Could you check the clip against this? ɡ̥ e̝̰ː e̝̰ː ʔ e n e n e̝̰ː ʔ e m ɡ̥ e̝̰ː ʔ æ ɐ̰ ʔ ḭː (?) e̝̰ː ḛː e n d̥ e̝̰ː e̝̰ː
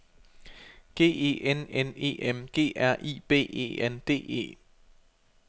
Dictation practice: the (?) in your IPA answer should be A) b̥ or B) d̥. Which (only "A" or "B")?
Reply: A